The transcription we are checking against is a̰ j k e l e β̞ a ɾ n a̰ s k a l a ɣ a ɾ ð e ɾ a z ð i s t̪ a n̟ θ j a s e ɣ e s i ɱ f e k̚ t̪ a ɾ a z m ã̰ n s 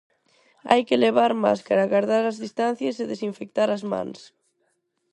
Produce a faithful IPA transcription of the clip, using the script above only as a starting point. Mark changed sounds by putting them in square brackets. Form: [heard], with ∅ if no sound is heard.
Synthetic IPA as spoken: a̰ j k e l e β̞ a ɾ [m] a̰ s k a [ɾ] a ɣ a ɾ ð [a] ɾ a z ð i s t̪ a n̟ θ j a s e [ð] e s i ɱ f e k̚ t̪ a ɾ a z m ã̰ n s